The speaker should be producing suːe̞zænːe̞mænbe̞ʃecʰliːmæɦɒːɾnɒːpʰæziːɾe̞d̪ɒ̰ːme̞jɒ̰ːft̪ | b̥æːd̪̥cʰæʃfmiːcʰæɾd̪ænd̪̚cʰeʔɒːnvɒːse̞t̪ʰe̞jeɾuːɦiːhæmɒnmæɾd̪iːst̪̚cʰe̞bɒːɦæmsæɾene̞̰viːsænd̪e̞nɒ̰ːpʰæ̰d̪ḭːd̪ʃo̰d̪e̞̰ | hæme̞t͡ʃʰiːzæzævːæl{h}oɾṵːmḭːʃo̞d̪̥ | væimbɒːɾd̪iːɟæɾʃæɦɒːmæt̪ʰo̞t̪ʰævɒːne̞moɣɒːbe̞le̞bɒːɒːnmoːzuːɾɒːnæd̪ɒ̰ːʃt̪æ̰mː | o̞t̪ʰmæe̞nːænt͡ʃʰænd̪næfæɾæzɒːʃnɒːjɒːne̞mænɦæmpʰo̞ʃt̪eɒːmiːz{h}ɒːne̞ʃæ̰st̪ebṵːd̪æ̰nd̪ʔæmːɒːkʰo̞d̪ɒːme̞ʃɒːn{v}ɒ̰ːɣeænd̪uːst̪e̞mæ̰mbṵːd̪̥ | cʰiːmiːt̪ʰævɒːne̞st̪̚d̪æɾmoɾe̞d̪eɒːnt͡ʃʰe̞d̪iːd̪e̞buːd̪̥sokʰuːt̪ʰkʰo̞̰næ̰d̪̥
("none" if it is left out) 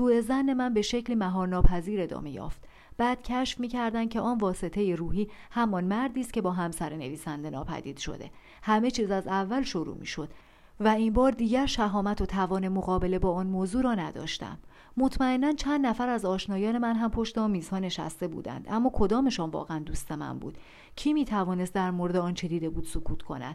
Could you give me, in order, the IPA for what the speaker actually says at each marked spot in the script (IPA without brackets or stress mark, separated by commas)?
ʃ, h, v